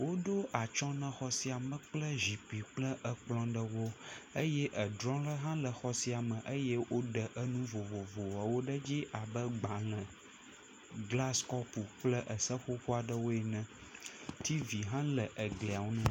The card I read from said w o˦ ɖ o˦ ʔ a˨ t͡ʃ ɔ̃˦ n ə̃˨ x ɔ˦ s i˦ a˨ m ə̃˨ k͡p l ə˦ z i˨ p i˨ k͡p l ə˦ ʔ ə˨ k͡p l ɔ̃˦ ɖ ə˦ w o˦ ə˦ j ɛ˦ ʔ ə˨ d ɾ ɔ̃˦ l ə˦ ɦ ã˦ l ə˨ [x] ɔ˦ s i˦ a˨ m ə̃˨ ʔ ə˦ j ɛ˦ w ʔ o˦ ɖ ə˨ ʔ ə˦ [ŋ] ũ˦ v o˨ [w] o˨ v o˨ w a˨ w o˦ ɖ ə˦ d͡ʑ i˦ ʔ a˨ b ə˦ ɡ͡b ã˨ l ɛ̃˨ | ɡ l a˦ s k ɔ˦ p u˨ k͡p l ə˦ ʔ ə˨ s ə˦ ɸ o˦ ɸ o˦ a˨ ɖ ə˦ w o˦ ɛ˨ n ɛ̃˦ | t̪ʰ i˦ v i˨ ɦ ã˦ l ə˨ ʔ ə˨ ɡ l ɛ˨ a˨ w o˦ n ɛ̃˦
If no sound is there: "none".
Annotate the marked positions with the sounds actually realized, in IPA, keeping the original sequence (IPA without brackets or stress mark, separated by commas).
x, n, v